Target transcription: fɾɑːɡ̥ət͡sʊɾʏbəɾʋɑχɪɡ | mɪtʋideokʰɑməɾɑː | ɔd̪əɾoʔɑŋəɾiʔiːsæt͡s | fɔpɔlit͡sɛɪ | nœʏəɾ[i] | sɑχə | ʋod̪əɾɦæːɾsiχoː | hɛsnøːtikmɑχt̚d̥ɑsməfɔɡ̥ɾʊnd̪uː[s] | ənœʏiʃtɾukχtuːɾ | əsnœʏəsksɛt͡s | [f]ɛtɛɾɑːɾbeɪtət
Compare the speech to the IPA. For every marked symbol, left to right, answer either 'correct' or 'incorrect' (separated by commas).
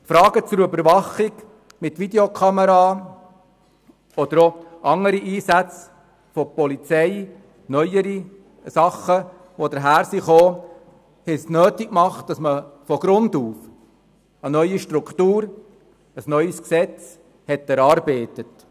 correct, incorrect, incorrect